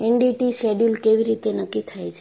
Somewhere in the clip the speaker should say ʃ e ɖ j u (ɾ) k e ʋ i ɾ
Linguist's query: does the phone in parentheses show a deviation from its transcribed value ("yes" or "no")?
yes